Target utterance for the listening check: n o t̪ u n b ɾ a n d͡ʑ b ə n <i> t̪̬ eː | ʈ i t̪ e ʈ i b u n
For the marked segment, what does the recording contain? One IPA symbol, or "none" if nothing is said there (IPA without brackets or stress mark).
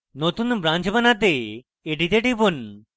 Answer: a